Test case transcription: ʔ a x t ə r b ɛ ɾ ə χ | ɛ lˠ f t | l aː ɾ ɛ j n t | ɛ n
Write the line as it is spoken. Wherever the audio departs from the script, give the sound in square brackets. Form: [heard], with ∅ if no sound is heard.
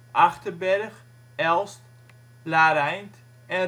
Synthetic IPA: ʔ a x t ə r b ɛ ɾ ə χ | ɛ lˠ [s] t | l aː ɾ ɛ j n t | ɛ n